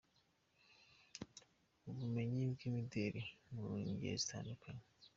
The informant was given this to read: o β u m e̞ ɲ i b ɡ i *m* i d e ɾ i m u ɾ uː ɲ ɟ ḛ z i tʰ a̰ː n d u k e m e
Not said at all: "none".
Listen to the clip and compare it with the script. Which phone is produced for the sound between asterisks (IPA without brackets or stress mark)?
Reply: m